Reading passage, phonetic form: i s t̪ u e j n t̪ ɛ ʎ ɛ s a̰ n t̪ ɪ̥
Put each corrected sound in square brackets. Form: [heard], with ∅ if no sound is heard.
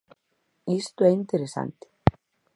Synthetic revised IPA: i s t̪ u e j n t̪ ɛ [ɾ] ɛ s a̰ n t̪ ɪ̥